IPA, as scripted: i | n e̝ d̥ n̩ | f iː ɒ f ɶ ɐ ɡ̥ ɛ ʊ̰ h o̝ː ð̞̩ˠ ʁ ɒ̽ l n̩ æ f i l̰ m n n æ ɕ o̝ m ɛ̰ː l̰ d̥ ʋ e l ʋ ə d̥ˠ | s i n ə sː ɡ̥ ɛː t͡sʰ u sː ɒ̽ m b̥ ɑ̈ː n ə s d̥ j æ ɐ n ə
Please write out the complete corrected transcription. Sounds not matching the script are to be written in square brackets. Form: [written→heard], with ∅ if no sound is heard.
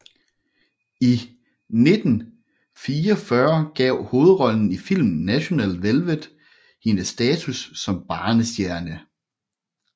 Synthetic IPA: i | n e̝ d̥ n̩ | f iː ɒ f ɶ ɐ ɡ̥ ɛ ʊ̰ h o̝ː ð̞̩ˠ ʁ ɒ̽ l n̩ [æ→i] f i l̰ m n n æ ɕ o̝ [m→n] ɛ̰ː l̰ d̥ ʋ e l ʋ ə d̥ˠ | [s→h] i n ə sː [ɡ̥→d̥] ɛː t͡sʰ u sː ɒ̽ m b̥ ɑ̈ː n ə s d̥ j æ ɐ n ə